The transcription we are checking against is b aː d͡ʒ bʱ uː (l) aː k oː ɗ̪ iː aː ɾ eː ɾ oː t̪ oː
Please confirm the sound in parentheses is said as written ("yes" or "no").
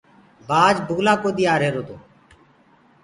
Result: yes